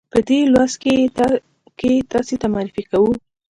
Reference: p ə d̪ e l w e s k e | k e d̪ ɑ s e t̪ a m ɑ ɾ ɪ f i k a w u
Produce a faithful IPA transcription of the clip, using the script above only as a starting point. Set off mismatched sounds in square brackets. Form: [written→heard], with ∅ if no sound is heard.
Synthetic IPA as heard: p ə d̪ e l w [e→a] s k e | k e [d̪→t̪] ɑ s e t̪ a m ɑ ɾ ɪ f i k a w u